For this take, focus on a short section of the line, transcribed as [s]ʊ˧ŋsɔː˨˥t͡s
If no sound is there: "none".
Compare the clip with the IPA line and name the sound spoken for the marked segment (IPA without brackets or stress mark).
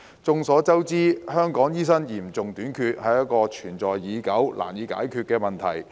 t͡s